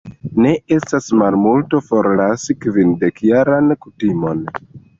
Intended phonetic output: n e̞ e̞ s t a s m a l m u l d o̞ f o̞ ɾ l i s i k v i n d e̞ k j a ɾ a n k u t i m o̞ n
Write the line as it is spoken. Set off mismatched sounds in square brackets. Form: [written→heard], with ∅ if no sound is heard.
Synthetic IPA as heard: n e̞ e̞ s t a s m a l m u l [d→t] o̞ f o̞ ɾ l [i→a] s i k v i n d e̞ k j a ɾ a n k u t i m o̞ n